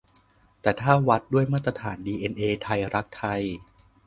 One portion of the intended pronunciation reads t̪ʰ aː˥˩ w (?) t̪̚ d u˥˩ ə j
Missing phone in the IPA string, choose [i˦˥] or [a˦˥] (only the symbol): a˦˥